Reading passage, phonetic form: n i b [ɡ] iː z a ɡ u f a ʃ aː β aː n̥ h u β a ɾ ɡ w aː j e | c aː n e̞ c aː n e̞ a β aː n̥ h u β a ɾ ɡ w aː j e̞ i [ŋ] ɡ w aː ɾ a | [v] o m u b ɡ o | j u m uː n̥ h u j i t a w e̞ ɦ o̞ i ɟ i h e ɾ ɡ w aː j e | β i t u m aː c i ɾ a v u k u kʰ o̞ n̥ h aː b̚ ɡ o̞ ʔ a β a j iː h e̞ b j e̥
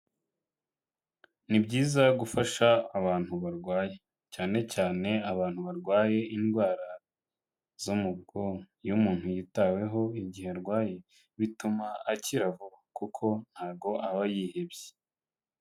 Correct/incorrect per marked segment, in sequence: incorrect, incorrect, incorrect

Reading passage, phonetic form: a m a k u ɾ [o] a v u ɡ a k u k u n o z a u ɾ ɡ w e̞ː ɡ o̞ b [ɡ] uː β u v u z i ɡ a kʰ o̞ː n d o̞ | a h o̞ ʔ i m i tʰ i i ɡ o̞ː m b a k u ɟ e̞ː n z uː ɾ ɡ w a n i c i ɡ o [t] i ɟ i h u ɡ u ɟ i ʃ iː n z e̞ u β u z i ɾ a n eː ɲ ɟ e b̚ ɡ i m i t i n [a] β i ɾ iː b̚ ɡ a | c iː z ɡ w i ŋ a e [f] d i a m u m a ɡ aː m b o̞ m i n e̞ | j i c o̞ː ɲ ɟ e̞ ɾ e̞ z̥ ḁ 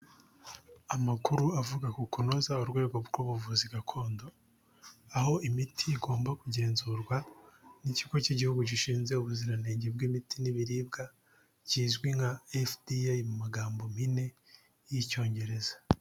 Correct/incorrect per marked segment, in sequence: incorrect, correct, incorrect, incorrect, correct

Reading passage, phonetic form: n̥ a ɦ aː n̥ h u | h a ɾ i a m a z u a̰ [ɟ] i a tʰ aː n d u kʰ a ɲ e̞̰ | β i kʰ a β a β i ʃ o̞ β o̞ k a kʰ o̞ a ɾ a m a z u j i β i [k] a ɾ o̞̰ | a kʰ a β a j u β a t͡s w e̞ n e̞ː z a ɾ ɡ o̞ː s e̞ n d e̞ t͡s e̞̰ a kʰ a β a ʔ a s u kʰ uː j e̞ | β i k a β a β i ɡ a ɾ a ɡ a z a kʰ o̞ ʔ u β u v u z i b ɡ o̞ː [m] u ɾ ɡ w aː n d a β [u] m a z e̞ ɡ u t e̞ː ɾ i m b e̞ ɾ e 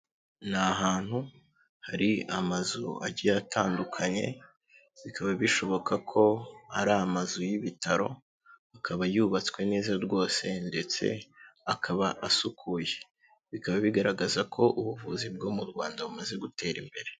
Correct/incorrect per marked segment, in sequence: correct, incorrect, correct, correct

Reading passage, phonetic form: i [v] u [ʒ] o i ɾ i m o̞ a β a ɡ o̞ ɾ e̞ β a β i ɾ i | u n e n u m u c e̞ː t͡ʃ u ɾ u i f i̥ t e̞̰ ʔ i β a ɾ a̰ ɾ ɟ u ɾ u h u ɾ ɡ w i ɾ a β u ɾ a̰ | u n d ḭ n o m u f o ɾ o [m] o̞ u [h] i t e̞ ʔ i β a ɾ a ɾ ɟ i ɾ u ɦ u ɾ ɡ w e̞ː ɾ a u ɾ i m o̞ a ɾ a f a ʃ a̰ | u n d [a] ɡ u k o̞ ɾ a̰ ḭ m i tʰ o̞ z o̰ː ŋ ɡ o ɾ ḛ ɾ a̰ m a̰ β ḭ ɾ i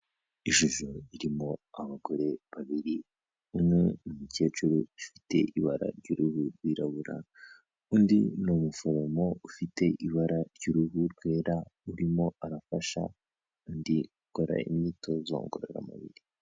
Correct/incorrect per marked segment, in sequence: incorrect, correct, correct, incorrect, incorrect

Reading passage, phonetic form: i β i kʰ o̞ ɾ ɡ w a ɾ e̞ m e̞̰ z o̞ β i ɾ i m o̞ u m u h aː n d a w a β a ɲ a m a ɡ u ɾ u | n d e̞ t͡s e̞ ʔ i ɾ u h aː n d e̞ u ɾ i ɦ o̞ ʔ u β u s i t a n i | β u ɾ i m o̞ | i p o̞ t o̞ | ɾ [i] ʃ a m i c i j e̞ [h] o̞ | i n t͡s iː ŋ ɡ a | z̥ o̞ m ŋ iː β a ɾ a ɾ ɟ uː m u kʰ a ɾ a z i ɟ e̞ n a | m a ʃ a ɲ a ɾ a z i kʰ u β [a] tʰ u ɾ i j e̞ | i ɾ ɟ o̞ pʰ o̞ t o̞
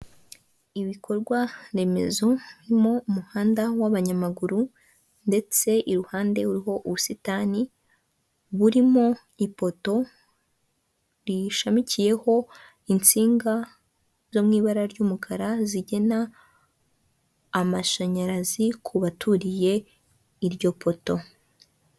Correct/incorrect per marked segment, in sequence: correct, correct, correct

